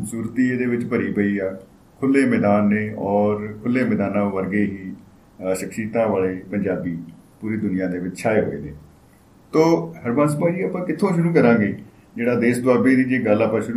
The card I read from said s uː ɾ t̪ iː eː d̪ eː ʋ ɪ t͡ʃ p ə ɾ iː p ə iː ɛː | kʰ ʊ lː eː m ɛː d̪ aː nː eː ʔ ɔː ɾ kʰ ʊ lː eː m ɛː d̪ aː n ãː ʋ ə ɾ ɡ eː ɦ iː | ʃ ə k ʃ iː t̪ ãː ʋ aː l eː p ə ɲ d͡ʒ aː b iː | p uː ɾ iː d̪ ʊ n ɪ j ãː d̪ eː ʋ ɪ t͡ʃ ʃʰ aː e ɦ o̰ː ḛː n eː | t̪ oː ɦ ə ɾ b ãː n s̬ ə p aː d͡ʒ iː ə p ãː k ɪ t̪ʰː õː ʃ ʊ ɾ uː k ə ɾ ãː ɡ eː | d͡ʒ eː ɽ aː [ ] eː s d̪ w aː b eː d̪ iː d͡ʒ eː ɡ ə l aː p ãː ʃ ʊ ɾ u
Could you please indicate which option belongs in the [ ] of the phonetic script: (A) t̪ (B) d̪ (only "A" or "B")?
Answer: B